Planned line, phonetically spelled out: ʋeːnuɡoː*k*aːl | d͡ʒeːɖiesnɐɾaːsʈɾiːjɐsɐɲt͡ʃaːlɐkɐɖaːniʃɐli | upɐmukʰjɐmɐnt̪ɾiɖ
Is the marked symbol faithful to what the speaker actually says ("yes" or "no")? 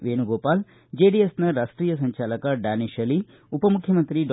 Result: no